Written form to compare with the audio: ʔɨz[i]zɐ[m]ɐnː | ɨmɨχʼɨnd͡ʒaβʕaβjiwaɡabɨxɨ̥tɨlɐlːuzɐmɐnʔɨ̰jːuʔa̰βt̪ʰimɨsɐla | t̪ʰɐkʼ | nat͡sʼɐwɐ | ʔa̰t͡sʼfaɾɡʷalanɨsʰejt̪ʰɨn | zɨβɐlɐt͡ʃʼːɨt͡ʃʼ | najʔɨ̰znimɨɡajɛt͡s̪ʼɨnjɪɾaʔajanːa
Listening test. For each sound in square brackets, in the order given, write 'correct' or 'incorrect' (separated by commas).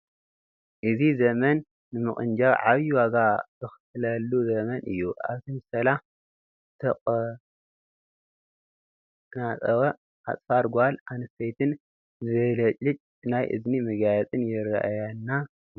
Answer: correct, correct